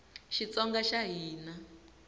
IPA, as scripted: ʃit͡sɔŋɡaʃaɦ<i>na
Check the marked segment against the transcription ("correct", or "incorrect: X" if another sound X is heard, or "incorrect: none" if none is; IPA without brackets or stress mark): incorrect: iː